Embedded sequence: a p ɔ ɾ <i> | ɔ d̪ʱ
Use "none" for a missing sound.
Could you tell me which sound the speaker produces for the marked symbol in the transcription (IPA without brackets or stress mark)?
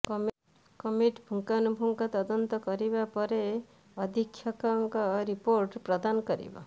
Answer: e